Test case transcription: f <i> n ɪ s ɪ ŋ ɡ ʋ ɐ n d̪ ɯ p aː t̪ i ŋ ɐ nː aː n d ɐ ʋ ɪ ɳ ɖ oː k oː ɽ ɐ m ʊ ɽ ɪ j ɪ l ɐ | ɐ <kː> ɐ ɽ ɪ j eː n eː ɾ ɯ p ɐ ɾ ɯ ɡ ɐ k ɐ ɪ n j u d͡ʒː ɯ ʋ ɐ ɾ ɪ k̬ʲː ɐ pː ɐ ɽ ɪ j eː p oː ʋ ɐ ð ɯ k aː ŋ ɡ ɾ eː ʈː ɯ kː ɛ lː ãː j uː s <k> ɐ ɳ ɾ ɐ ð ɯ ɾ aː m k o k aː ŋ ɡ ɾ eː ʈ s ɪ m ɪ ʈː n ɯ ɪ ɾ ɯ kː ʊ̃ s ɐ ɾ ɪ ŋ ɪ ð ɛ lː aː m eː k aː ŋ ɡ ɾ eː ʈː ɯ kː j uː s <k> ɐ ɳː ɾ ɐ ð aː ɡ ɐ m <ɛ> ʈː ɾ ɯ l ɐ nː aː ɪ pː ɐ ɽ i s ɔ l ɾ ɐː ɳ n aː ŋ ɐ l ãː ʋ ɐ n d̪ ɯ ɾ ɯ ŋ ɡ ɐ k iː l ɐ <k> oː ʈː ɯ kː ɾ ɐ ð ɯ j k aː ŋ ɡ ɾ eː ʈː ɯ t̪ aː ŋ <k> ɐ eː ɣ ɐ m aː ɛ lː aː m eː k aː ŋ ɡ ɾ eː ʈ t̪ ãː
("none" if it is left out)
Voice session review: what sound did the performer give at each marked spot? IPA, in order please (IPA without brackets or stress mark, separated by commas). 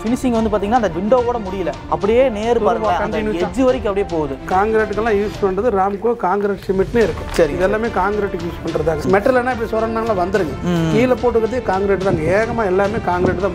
ɪ, pː, p, p, ɛ, p, ɡ